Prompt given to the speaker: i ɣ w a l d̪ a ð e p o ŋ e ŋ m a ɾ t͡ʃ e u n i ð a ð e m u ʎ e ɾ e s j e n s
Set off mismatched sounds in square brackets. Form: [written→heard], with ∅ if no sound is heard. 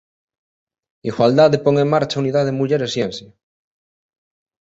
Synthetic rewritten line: i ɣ w a l d̪ a ð e p o ŋ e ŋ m a ɾ t͡ʃ [e→a] u n i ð a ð e m u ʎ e ɾ e s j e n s